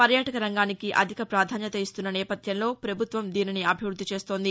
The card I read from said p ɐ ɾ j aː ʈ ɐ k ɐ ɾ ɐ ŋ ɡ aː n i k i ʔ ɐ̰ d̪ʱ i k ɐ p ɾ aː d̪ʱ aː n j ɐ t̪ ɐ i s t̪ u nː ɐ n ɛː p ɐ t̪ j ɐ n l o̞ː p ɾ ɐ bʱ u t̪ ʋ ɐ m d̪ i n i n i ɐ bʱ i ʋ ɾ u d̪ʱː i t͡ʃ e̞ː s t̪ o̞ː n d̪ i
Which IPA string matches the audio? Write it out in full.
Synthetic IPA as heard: p ɐ ɾ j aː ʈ ɐ k ɐ ɾ ɐ ŋ ɡ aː n i k i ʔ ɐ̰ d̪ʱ i k ɐ p ɾ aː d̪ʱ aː n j ɐ t̪ ɐ i s t̪ u nː ɐ n ɛː p ɐ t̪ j ɐ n l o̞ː p ɾ ɐ bʱ u t̪ ʋ ɐ m d̪ iː n i n i ɐ bʱ i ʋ ɾ u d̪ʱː i t͡ʃ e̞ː s t̪ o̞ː n d̪ i